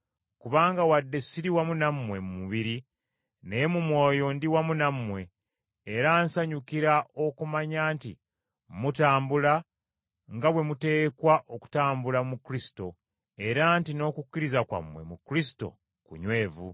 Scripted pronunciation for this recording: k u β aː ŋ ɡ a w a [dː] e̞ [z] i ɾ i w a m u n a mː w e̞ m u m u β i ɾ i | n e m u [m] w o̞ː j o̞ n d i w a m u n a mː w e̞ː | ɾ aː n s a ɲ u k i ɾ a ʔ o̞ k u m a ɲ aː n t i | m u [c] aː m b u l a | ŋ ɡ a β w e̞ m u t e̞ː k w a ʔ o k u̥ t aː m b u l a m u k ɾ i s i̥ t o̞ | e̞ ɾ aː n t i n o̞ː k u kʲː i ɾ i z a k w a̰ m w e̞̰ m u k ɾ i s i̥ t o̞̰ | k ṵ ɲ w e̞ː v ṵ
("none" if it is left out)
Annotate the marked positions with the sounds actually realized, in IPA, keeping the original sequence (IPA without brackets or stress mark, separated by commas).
dː, s, m, t